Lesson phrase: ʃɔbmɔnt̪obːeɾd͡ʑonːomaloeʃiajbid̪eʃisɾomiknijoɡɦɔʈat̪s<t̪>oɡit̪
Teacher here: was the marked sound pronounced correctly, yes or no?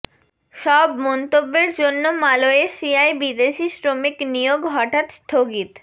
no